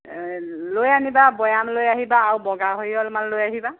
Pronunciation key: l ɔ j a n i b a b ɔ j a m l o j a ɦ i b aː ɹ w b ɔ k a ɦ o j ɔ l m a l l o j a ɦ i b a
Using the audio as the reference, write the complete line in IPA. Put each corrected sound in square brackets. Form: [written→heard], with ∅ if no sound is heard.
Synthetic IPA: l [ɔ→o] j a n i b a b ɔ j a m l o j a ɦ i b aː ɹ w b ɔ [k→ɡ] a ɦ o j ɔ l m a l l o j a ɦ i b a